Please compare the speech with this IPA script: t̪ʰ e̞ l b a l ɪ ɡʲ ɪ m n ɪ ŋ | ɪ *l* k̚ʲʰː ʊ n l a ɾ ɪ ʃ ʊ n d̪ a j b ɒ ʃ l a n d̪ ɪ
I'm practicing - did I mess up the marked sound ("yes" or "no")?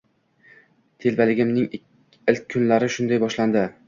no